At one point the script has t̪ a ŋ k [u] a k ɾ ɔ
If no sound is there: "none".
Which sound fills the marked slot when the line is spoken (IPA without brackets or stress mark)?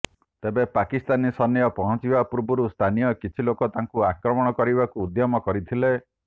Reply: u